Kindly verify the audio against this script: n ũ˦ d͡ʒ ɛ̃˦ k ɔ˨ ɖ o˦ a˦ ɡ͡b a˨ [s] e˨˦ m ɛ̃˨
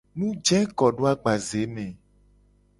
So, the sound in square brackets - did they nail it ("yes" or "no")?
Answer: no